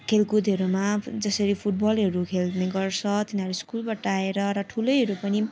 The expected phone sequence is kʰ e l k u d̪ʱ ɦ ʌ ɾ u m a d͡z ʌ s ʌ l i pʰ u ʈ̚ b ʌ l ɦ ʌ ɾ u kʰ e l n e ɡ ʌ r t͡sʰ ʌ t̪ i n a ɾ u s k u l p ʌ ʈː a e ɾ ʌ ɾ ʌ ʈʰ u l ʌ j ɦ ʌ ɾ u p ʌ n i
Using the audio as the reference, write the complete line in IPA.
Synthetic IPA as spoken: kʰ e l k u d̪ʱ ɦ ʌ ɾ u m a d͡z ʌ s ʌ ɾ i pʰ u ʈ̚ b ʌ l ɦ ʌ ɾ u kʰ e l n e ɡ ʌ r t͡sʰ ʌ t̪ i n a ɾ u s k u l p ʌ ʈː a e ɾ ʌ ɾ ʌ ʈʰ u l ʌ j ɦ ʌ ɾ u p ʌ n i

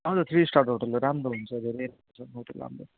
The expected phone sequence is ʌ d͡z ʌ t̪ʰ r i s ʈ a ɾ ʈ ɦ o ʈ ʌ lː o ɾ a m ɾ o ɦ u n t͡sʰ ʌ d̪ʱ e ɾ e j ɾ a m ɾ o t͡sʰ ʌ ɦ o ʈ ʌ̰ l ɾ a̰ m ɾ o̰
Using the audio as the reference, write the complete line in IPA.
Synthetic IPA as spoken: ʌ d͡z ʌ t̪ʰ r i s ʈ a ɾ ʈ ɦ o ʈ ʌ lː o ɾ a m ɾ o ɦ u n t͡sʰ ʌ d̪ʱ e ɾ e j ɾ a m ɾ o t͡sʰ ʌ ɦ o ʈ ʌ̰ l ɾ a̰ m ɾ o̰

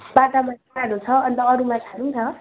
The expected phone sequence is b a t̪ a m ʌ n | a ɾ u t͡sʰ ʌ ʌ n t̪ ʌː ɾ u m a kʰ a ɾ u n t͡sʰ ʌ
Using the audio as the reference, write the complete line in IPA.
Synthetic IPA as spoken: b a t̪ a m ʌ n | a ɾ u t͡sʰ ʌ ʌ n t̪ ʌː ɾ u m a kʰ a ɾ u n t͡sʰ ʌ

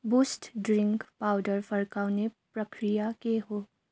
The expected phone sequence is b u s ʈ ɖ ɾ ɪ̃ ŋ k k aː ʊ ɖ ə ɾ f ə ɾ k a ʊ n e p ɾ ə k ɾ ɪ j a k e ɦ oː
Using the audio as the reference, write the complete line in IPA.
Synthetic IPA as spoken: b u s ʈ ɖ ɾ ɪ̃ ŋ k p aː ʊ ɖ ə ɾ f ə ɾ k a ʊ n e p ɾ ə k ɾ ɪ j a k e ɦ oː

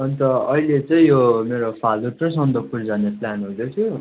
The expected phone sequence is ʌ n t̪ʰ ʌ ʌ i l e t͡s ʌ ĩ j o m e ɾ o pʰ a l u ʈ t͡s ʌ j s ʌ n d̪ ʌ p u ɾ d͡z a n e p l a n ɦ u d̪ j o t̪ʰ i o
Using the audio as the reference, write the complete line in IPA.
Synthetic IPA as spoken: ʌ n t̪ ʌ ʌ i l e t͡s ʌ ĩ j o m e ɾ o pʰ a l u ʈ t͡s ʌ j s ʌ n d̪ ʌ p u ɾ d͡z a n e p l a n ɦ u d̪ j o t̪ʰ j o

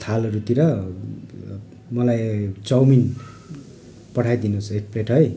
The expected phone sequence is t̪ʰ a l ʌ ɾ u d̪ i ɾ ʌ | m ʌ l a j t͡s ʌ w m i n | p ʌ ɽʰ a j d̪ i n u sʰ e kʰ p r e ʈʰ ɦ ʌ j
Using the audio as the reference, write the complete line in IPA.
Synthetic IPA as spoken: t̪ʰ a l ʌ ɾ u t̪ i ɾ ʌ | m ʌ l a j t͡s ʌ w m i n | p ʌ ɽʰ a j d̪ i n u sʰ e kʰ p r e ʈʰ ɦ ʌ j

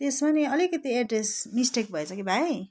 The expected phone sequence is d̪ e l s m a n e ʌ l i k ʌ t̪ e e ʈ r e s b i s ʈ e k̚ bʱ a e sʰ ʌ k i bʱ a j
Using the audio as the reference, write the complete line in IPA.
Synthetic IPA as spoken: t̪ e s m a n e ʌ l i k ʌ t̪ i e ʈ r e s m i s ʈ e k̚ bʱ ʌ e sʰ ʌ k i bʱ a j

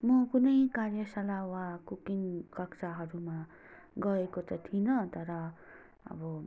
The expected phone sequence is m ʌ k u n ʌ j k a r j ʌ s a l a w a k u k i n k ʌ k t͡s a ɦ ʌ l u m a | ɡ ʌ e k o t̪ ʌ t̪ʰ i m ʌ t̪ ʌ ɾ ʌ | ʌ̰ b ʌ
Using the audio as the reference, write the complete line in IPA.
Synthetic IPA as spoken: m ʌ k u n ʌ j k a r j ʌ s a l a w a k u k i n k ʌ k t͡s a ɦ ʌ ɾ u m a | ɡ ʌ e k o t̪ ʌ t̪ʰ i n ʌ t̪ ʌ ɾ ʌ | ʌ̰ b ʌ

